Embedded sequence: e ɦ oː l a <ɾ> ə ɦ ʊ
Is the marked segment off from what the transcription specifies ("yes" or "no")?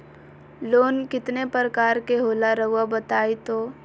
no